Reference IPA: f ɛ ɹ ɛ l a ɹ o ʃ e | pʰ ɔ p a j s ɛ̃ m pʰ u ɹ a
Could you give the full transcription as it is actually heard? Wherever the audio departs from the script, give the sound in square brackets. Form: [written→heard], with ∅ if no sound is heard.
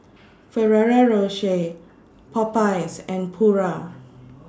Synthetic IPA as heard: f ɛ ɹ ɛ [l→ɹ] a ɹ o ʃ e | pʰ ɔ p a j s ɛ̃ [m→n] pʰ u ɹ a